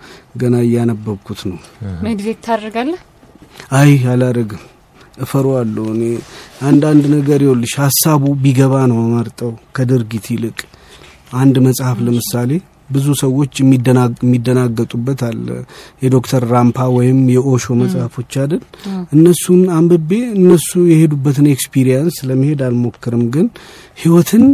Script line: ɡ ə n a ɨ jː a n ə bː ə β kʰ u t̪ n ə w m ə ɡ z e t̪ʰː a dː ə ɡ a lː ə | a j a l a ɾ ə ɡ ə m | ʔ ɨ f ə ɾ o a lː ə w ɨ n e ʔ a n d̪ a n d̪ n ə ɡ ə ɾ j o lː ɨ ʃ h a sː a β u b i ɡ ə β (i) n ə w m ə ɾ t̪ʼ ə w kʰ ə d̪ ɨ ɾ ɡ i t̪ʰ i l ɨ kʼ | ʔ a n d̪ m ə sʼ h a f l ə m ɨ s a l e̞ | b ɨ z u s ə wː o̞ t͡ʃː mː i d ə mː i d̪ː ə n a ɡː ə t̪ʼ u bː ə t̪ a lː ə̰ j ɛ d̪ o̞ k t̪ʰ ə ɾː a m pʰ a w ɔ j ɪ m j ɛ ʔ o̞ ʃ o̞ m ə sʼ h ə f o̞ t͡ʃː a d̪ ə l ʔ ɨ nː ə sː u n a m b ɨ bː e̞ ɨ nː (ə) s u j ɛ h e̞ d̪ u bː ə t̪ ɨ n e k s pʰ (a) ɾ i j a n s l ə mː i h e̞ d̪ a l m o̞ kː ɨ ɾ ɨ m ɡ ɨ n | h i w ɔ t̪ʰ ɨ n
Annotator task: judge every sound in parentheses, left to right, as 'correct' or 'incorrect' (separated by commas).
incorrect, correct, incorrect